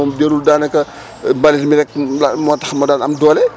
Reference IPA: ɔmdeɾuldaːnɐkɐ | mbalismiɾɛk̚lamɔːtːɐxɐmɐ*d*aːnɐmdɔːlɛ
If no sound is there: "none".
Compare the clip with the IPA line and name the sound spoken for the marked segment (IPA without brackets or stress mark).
d